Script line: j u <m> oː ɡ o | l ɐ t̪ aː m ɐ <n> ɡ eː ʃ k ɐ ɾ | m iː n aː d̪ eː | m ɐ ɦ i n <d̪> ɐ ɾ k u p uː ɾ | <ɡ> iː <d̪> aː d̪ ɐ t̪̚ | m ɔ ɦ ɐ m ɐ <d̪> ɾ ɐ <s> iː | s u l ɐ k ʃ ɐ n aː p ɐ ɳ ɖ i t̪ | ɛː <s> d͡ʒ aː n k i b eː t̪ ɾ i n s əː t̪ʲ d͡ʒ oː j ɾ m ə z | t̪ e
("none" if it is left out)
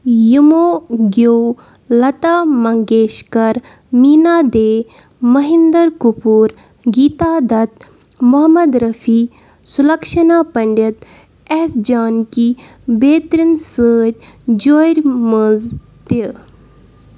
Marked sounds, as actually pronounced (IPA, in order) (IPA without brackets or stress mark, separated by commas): m, ŋ, d̪, ɡ, t̪, d̪, f, s